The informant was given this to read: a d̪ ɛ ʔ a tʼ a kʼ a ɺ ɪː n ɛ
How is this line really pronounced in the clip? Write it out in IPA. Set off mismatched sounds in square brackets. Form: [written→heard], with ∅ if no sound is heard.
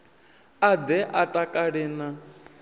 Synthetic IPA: a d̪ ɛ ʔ a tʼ a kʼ a ɺ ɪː n [ɛ→a]